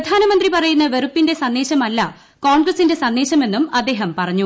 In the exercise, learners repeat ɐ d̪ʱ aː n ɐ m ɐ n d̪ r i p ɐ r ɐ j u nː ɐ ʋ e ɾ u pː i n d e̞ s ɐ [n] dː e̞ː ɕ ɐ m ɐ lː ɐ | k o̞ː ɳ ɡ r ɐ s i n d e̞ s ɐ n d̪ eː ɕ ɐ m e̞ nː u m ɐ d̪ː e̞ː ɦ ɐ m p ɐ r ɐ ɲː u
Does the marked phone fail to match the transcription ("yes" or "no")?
no